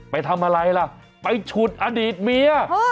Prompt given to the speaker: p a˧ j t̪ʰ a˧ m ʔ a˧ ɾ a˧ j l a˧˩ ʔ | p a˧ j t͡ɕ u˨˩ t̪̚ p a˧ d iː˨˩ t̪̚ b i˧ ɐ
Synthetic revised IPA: p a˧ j t̪ʰ a˧ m ʔ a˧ ɾ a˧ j l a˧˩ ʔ | p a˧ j t͡ɕʰ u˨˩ t̪̚ ʔ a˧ d iː˨˩ t̪̚ m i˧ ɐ